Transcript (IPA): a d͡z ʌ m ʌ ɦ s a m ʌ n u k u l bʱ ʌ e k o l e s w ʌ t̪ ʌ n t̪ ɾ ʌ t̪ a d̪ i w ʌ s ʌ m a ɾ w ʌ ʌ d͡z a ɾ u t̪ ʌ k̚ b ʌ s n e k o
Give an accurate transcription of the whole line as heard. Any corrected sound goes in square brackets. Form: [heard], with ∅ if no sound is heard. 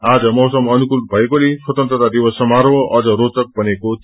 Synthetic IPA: a d͡z ʌ m ʌ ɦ s [ʌ] m ʌ n u k u l bʱ ʌ e k o l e s w ʌ t̪ ʌ n t̪ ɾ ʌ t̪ a d̪ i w ʌ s ʌ m a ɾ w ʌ ʌ d͡z [ʌ] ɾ [o] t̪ ʌ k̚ b ʌ [∅] n e k o